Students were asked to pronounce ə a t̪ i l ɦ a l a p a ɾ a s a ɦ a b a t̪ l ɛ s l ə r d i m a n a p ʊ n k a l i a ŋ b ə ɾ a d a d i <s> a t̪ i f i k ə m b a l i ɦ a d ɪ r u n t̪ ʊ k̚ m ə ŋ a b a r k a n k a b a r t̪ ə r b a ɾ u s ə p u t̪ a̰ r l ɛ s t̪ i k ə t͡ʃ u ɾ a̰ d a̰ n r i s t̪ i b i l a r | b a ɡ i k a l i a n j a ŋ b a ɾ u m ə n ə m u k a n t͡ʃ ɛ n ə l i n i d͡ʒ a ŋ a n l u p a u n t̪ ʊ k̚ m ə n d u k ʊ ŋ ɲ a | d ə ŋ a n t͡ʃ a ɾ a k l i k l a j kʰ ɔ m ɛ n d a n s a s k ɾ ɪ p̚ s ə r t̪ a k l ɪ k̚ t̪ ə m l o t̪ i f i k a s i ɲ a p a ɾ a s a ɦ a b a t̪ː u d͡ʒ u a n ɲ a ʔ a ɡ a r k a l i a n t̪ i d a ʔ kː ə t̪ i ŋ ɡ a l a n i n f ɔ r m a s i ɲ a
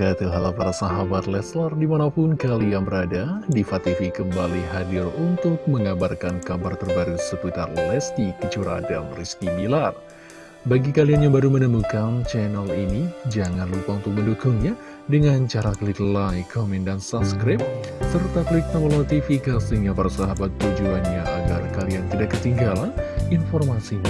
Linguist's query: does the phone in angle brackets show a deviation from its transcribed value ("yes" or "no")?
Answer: yes